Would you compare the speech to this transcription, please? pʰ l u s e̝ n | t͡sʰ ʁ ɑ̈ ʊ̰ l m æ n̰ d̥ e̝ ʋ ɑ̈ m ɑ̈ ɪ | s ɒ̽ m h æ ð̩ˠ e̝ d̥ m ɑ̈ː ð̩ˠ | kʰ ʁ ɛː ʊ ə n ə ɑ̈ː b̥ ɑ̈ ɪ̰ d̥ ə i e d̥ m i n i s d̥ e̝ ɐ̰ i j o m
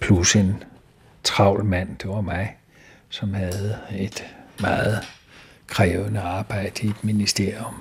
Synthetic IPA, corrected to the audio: pʰ l u s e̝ n | t͡sʰ ʁ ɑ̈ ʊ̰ l m æ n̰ d̥ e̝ ʋ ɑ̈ m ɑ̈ ɪ | s ɒ̽ m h æ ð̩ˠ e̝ d̥ m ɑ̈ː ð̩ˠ | kʰ ʁ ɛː ʊ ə n ə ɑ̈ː b̥ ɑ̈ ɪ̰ d̥ ə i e d̥ m i n i s d̥ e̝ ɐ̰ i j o m